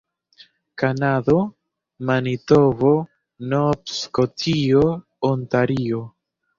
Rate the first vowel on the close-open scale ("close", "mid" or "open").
open